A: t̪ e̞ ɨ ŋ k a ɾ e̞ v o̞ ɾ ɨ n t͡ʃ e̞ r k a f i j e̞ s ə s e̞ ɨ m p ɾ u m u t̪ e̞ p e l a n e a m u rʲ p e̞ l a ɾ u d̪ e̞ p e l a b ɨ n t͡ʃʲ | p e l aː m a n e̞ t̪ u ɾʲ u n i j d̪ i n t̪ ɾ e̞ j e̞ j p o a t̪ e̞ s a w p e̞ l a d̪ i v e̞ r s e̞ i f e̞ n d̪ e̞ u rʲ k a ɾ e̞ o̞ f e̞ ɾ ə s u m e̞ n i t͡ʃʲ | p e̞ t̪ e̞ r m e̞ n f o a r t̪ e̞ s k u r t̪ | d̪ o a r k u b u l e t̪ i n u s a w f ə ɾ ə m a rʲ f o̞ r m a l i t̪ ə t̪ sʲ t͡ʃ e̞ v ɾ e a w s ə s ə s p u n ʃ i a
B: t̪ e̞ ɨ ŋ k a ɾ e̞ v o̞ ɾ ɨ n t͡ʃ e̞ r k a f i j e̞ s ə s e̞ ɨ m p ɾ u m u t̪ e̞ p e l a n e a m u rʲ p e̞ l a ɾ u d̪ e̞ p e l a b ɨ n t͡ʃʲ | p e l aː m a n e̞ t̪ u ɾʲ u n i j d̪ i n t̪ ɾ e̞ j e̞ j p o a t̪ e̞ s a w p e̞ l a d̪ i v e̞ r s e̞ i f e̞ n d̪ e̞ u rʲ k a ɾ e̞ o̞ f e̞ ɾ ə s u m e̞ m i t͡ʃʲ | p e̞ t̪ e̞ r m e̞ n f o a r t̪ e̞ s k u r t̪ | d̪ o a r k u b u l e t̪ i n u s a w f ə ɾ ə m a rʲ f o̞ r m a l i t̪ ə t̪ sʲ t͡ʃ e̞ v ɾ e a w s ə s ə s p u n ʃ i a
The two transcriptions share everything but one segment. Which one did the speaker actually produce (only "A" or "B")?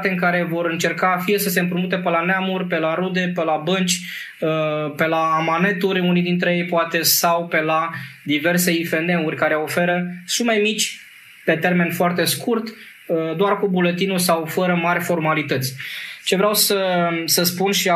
B